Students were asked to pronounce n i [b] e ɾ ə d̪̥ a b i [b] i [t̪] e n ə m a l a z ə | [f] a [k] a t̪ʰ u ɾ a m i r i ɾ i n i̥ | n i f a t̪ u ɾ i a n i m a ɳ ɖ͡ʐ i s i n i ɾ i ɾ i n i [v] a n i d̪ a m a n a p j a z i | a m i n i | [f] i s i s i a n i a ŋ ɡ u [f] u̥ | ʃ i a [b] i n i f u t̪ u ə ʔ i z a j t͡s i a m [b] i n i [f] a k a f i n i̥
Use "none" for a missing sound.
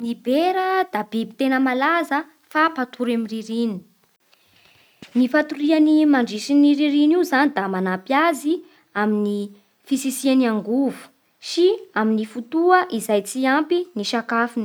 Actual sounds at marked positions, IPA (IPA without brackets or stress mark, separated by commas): b, b, t̪, f, p, z, f, v, m, p, ʃ